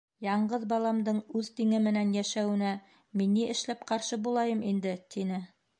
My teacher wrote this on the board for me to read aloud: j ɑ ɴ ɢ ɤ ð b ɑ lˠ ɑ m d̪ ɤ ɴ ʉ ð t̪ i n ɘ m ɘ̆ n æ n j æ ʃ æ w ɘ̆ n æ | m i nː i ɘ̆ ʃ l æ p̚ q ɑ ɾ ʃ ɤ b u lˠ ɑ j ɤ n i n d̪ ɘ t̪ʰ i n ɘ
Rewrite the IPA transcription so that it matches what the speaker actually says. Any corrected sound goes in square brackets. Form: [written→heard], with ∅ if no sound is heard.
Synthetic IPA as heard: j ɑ ɴ ɢ ɤ ð b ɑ lˠ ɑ m d̪ ɤ ɴ ʉ ð t̪ i [n→ŋ] ɘ m ɘ̆ n æ n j æ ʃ æ w ɘ̆ n æ | m i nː i ɘ̆ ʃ l æ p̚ q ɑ ɾ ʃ ɤ b u lˠ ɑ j ɤ [n→m] i n d̪ ɘ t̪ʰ i n ɘ

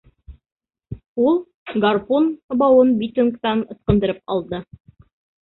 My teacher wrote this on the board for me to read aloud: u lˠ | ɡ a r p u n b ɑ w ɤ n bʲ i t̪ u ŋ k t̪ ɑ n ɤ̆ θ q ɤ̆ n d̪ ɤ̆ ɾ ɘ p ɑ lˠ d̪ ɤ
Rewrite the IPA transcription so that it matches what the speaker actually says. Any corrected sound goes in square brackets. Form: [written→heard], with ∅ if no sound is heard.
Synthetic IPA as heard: u lˠ | ɡ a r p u n b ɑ w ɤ n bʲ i t̪ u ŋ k t̪ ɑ n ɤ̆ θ q ɤ̆ n d̪ ɤ̆ ɾ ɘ p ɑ lˠ d̪ ɤ

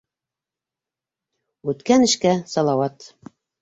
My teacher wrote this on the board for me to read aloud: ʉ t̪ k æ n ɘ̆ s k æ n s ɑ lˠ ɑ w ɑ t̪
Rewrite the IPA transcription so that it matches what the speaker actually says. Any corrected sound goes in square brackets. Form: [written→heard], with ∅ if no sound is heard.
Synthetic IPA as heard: ʉ t̪ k æ n ɘ̆ [s→ʃ] k æ [n→∅] s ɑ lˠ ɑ w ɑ t̪

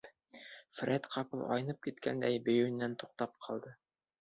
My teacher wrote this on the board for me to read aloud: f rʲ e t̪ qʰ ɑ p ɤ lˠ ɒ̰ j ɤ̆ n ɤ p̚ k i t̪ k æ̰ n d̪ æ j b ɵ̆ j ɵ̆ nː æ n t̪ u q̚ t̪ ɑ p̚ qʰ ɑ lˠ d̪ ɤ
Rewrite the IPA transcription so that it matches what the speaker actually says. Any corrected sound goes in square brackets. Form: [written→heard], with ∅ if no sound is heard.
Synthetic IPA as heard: f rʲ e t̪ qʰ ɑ p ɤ lˠ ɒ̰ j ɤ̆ n ɤ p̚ k i t̪ k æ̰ n d̪ æ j b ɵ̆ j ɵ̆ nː æ n t̪ u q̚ t̪ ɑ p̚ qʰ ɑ lˠ d̪ ɤ

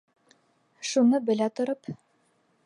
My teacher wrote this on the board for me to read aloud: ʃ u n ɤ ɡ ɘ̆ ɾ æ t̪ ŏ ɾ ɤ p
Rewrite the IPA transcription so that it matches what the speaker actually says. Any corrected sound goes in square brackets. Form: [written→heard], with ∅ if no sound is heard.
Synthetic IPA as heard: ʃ u n ɤ [ɡ→b] ɘ̆ [ɾ→l] æ t̪ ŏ ɾ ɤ p

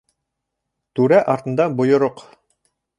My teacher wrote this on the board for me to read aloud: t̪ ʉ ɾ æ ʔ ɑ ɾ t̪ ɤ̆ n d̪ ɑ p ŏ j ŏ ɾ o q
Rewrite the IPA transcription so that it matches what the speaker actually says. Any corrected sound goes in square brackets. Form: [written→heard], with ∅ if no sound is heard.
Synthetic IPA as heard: t̪ ʉ ɾ æ ʔ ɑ ɾ t̪ ɤ̆ n d̪ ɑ [p→b] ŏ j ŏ ɾ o q

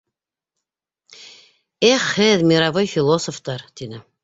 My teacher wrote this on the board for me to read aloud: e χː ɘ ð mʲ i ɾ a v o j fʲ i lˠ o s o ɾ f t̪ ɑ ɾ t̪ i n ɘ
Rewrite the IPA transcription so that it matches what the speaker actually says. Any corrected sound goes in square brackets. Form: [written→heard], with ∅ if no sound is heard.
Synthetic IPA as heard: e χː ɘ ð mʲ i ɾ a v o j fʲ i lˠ o s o [ɾ→∅] f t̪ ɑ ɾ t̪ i n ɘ

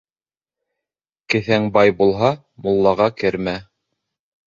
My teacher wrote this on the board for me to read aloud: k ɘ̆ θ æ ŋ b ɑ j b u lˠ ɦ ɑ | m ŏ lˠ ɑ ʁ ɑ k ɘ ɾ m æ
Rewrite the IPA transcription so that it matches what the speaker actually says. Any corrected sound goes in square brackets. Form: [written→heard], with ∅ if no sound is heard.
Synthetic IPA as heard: k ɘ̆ θ æ ŋ b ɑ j b u lˠ ɦ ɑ | m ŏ [lˠ→lˠː] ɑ ʁ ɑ k ɘ ɾ m æ

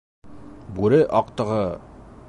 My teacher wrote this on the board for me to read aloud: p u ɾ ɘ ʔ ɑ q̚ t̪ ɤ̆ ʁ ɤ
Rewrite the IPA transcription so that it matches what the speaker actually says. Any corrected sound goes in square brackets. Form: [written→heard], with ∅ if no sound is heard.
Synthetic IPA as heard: [p→b] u ɾ ɘ ʔ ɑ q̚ t̪ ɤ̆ ʁ ɤ

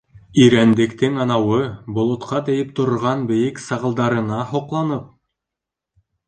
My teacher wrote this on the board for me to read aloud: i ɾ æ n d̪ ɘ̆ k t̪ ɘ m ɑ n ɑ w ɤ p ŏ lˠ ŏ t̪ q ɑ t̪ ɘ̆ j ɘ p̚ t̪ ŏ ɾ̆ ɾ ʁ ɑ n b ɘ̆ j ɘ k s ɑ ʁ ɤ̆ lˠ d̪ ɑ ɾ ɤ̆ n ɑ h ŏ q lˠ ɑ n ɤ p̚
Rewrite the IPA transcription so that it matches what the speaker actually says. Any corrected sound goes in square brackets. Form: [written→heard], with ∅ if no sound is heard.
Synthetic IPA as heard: i ɾ æ n d̪ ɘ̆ k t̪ ɘ [m→ŋ] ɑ n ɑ w ɤ [p→b] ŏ lˠ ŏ t̪ q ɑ t̪ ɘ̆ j ɘ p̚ t̪ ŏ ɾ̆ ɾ ʁ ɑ n b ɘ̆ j ɘ k s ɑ ʁ ɤ̆ lˠ d̪ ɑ ɾ ɤ̆ n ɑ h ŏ q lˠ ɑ n ɤ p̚

